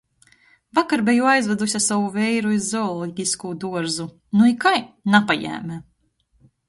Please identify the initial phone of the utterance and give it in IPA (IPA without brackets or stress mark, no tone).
v